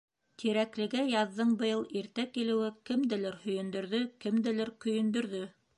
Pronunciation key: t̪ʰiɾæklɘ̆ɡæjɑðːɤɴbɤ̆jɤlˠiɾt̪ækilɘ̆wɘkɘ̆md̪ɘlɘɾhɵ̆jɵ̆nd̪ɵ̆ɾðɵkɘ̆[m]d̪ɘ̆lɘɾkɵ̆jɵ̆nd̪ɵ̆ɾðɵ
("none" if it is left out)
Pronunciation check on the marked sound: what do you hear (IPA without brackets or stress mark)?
m